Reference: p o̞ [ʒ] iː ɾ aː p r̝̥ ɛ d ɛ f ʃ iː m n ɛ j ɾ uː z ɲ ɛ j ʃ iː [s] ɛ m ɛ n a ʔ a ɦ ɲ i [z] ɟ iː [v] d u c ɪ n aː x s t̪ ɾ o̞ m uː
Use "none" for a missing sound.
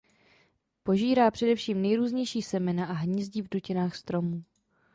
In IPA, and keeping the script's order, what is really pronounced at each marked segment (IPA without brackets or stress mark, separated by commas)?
ʒ, s, z, v